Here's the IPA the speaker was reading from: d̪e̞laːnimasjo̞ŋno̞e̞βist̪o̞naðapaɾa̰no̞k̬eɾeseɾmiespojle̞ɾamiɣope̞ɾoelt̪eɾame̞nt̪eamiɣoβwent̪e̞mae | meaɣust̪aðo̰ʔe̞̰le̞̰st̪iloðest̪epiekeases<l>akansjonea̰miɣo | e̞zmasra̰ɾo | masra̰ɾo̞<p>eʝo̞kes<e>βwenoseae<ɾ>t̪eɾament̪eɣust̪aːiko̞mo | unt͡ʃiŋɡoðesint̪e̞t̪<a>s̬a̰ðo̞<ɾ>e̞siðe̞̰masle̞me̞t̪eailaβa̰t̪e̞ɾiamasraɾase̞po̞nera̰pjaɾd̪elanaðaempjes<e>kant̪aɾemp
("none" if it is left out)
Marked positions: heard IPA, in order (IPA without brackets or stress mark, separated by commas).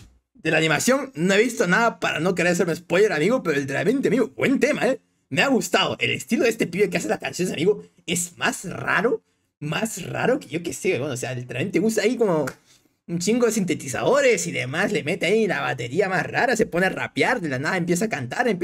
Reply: l, k, e, l, i, ɾ, a